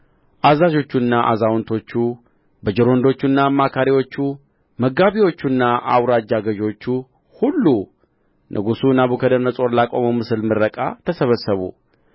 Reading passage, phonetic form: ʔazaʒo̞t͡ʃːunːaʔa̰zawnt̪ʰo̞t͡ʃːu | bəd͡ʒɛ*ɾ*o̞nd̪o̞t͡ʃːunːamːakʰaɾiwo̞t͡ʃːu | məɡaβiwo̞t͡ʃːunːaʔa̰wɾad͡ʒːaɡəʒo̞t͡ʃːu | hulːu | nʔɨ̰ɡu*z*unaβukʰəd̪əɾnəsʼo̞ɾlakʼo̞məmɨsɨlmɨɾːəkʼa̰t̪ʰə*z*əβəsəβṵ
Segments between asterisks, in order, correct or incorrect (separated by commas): correct, incorrect, incorrect